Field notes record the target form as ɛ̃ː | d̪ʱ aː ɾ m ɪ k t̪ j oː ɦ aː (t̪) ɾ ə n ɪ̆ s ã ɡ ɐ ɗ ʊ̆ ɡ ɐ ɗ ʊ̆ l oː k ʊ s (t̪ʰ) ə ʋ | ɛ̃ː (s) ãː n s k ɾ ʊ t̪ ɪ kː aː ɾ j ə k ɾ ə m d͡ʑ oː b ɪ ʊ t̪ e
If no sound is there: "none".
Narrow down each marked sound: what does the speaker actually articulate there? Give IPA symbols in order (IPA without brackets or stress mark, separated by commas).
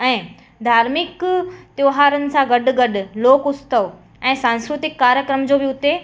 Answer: none, t̪, s